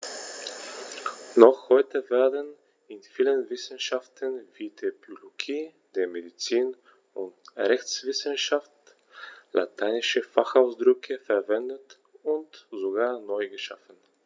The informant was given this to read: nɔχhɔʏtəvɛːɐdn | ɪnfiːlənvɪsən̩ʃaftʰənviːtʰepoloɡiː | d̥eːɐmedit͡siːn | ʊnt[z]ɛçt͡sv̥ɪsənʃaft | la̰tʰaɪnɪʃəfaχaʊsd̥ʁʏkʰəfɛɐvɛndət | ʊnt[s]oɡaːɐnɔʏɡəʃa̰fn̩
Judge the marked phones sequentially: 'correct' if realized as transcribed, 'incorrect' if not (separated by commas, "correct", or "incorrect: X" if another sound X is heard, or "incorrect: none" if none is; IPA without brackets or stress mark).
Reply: incorrect: ʁ, incorrect: z